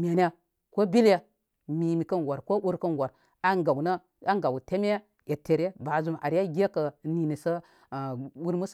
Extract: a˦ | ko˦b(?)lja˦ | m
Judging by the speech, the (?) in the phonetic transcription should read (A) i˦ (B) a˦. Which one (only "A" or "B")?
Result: A